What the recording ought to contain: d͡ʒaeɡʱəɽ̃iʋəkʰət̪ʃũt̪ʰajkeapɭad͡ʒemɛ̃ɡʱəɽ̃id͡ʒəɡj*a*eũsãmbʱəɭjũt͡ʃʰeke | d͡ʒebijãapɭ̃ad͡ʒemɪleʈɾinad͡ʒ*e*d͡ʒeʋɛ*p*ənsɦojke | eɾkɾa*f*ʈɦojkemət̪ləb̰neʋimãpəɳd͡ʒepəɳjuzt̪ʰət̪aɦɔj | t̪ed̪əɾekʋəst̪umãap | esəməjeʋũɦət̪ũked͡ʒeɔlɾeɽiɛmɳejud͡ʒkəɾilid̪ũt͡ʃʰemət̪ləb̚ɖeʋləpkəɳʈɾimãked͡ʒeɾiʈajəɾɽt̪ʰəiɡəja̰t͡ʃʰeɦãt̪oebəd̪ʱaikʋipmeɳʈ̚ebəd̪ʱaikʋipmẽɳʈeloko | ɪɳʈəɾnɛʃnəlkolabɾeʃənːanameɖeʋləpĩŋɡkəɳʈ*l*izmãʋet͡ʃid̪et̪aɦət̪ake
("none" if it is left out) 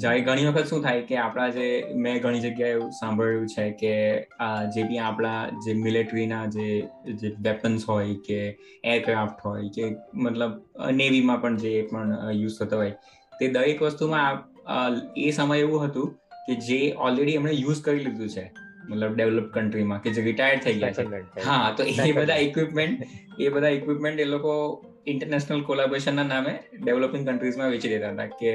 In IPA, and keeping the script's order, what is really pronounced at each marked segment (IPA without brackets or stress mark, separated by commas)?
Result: a, e, p, f, ɾ